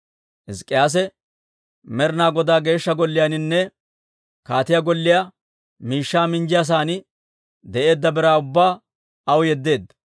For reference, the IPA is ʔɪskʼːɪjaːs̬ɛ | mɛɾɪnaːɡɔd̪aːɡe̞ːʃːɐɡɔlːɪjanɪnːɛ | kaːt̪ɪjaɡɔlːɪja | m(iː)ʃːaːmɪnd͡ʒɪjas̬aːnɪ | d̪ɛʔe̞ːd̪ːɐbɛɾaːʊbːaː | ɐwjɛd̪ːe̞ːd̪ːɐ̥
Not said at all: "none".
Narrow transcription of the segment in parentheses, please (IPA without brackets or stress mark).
iː